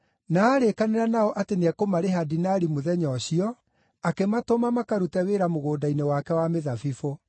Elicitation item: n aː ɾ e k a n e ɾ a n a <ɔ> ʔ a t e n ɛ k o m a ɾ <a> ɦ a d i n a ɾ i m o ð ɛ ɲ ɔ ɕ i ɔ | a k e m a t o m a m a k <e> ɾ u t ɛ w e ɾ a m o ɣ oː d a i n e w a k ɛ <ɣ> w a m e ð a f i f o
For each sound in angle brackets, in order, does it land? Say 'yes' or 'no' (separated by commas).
yes, no, no, no